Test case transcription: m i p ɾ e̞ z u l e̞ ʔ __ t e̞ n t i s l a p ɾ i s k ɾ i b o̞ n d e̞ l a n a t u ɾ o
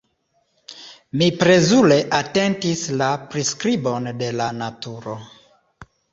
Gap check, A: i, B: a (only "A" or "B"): B